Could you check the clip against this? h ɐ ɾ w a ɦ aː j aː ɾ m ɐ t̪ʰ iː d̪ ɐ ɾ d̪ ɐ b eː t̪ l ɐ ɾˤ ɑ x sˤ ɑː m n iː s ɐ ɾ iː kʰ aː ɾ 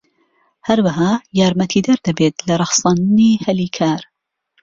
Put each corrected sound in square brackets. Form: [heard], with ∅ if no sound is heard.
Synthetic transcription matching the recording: h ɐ ɾ w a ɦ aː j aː ɾ m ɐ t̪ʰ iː d̪ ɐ ɾ d̪ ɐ b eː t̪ l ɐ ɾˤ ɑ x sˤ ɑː [n] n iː [h] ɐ [l] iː kʰ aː ɾ